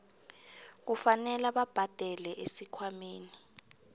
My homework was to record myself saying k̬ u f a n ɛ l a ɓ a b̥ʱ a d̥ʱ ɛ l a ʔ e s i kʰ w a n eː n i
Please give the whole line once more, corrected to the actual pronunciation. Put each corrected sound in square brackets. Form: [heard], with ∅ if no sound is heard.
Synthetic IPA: k̬ u f a n ɛ l a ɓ a b̥ʱ a d̥ʱ ɛ l [ɛ] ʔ e s i kʰ w a [m] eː n i